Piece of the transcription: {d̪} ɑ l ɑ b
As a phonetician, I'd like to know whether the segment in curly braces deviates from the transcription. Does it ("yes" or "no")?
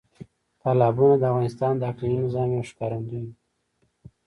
yes